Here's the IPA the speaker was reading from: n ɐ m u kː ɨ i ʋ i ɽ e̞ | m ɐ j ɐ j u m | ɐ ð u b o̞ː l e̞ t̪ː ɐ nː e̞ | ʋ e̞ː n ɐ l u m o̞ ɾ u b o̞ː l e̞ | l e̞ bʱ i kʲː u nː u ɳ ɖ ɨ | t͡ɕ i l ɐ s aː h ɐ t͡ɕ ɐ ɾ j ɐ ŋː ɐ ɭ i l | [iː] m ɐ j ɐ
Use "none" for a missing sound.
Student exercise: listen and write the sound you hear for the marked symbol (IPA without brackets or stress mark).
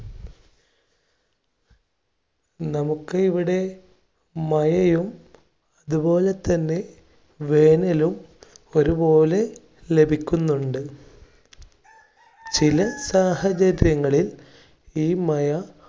iː